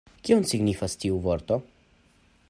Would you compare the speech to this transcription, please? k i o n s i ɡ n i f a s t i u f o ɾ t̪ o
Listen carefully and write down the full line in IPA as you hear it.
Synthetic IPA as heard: k i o n s i ɡ n i f a s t i u v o ɾ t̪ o